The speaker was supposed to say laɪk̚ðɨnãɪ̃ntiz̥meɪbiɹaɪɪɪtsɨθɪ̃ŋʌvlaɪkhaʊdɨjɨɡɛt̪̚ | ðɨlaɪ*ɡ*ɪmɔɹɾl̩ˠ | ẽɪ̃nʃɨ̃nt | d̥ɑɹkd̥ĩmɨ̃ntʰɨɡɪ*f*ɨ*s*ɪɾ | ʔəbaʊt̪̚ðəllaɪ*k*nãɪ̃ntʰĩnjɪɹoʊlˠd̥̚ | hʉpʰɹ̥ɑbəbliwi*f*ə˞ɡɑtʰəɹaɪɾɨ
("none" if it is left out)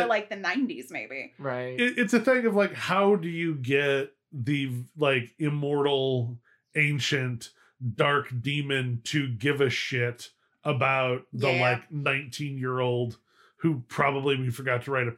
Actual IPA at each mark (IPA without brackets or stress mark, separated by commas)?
k, v, ʃ, k, f